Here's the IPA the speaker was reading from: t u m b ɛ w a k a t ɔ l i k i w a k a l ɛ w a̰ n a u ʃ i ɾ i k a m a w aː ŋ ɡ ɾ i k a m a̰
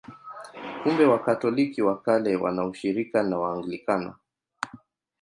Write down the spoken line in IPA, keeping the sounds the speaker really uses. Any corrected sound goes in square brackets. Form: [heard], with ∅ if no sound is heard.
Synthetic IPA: [k] u m b ɛ w a k a t ɔ l i k i w a k a l ɛ w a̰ n a u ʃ i ɾ i k a [n] a w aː ŋ ɡ [l] i k a [n] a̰